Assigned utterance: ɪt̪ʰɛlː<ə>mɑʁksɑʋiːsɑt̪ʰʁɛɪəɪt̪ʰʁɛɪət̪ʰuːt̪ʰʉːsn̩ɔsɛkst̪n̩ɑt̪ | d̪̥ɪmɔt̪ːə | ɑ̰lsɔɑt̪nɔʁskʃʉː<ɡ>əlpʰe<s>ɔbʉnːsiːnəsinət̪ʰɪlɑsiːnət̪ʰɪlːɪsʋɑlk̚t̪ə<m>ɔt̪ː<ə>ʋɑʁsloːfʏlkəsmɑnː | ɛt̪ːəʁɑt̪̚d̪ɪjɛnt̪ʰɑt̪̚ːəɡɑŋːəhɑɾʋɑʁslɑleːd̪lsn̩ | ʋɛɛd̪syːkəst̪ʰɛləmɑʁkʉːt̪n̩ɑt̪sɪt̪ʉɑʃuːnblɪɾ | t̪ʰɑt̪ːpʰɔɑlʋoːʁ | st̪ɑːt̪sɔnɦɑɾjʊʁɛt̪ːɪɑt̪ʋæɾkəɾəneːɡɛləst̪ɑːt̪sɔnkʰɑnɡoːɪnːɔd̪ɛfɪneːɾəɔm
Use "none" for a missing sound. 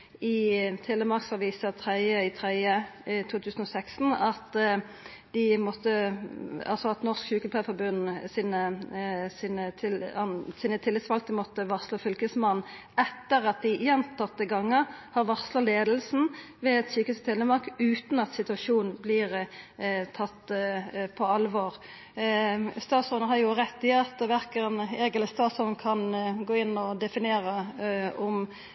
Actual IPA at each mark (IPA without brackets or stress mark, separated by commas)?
ə, k, f, m, ə